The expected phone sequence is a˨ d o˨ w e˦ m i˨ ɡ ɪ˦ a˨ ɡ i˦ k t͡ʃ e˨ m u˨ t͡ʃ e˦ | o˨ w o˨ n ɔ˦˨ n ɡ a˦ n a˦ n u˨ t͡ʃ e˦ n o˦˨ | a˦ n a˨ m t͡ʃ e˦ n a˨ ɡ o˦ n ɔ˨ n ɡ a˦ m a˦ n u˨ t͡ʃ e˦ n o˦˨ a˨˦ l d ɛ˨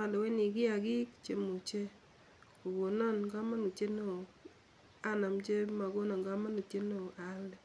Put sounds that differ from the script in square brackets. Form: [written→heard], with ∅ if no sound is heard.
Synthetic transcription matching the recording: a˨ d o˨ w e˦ [m→n] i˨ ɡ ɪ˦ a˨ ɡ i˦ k t͡ʃ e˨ m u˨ t͡ʃ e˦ | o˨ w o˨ n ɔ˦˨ n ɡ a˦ [n→m] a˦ n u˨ t͡ʃ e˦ n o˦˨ | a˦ n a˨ m t͡ʃ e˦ [n→m] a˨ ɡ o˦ n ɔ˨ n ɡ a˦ m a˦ n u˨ t͡ʃ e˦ n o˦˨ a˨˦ l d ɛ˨